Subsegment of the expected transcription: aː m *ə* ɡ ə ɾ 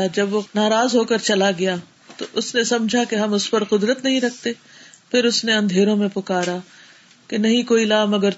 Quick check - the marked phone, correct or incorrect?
incorrect